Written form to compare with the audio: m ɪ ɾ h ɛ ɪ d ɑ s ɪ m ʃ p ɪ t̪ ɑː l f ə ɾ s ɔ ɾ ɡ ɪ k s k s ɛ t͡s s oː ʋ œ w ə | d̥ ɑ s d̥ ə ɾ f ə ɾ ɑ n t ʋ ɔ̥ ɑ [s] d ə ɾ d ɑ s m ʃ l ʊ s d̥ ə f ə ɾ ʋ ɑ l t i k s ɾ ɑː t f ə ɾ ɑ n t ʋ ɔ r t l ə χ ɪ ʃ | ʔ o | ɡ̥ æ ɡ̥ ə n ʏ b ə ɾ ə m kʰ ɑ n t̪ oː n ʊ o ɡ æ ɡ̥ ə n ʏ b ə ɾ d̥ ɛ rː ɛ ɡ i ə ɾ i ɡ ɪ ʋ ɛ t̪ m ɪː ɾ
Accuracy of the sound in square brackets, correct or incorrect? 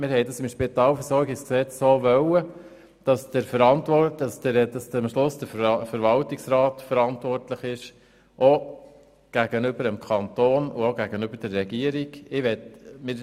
correct